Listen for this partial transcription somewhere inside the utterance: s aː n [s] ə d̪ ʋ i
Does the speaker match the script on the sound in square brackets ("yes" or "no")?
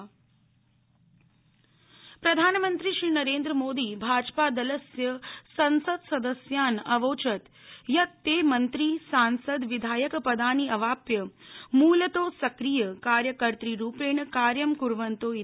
yes